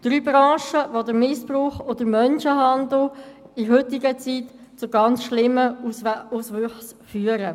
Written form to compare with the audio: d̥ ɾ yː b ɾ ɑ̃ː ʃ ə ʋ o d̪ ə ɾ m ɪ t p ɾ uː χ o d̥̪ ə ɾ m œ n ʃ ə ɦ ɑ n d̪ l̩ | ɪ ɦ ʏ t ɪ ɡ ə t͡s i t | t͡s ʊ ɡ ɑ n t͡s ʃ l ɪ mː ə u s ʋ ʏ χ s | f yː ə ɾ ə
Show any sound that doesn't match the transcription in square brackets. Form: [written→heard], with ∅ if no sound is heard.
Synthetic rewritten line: d̥ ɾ yː b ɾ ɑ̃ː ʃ ə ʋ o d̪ ə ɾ m ɪ [t→s] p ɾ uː χ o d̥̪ ə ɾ m œ n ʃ ə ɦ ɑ n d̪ l̩ | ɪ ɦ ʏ t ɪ ɡ ə t͡s i t | t͡s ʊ ɡ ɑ n t͡s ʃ l ɪ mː ə u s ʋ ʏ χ s | f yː ə ɾ ə